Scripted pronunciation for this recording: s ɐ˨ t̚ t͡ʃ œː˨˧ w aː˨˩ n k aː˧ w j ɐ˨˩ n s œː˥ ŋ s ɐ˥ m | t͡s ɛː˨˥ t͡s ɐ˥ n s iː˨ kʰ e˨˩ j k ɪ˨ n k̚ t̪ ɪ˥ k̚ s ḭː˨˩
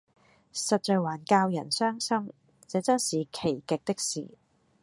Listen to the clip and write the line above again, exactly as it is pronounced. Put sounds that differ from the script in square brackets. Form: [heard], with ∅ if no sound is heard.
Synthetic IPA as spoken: s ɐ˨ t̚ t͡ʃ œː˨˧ w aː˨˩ n k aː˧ w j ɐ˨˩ n s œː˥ ŋ s ɐ˥ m | t͡s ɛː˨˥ t͡s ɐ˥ n s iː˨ kʰ e˨˩ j k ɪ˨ [∅] k̚ t̪ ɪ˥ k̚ s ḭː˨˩